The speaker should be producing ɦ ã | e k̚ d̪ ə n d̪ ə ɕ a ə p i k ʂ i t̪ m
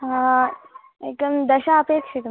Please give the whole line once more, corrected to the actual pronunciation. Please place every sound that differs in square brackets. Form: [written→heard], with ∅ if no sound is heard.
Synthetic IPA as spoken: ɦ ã | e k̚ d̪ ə [n→m] d̪ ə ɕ a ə p [i→e] k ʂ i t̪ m